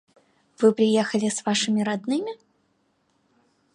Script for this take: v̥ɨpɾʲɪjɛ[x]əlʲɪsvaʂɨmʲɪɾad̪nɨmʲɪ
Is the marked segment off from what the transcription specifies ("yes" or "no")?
no